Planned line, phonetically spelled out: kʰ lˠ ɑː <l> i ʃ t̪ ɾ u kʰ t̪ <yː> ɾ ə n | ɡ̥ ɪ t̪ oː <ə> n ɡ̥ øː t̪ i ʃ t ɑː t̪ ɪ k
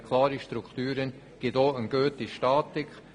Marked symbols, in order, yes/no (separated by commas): no, yes, yes